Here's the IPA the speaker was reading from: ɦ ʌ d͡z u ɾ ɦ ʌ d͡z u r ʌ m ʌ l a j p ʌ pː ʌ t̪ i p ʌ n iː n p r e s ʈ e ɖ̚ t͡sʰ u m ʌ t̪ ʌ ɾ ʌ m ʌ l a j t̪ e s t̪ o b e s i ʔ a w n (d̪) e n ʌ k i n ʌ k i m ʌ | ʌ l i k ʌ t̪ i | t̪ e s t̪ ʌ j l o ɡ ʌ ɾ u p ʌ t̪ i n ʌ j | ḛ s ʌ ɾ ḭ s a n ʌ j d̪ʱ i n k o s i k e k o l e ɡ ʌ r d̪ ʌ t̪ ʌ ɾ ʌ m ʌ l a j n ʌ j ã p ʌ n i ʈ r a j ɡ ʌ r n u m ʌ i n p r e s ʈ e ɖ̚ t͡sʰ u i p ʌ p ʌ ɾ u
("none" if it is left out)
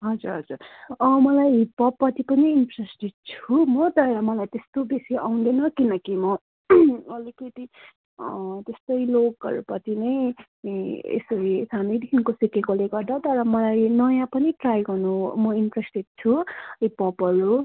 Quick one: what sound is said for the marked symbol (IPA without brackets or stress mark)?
d̪